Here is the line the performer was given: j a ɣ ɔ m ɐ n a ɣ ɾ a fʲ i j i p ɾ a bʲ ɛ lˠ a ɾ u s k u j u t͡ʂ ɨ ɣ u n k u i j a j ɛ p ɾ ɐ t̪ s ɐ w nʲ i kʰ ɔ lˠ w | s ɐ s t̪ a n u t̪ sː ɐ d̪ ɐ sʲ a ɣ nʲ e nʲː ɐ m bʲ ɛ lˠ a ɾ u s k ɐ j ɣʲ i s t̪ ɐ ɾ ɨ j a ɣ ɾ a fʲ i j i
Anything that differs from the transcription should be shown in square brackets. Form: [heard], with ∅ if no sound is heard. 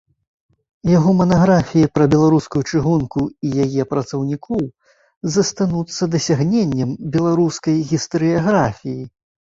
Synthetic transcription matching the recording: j a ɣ ɔ m ɐ n a ɣ ɾ a fʲ i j i p ɾ [ɐ] bʲ ɛ lˠ a ɾ u s k u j u t͡ʂ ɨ ɣ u n k u i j a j ɛ p ɾ ɐ t̪ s ɐ w nʲ i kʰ ɔ [∅] w | [z] ɐ s t̪ a n u t̪ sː ɐ d̪ ɐ sʲ a ɣ nʲ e nʲː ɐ m bʲ ɛ lˠ a ɾ u s k ɐ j ɣʲ i s t̪ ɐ ɾ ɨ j a ɣ ɾ a fʲ i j i